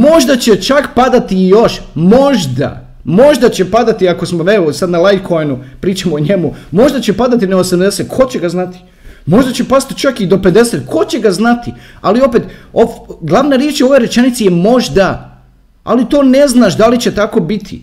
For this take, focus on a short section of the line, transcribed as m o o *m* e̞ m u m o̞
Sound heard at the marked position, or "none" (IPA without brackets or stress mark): ɲ